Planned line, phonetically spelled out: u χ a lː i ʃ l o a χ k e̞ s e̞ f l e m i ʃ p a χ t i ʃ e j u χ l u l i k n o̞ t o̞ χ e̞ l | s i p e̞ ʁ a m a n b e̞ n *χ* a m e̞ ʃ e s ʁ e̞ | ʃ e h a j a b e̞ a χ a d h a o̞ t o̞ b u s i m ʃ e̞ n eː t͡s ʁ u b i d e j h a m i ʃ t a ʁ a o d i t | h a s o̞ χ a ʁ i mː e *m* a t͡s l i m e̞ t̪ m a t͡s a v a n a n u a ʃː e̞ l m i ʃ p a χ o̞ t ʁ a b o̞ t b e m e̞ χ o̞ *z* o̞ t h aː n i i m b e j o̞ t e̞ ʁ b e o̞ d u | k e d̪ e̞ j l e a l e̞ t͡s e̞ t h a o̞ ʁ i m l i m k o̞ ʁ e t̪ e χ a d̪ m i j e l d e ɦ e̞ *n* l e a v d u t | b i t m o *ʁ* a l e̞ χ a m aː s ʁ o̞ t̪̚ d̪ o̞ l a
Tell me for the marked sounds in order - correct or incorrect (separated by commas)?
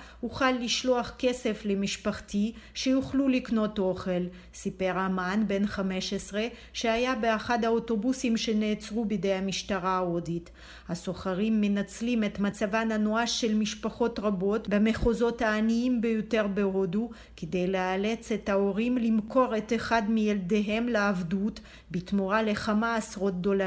correct, incorrect, correct, incorrect, correct